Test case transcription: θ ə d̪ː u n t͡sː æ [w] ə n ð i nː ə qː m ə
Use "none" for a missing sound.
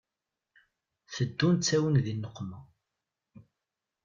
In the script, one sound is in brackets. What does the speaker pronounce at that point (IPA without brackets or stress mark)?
w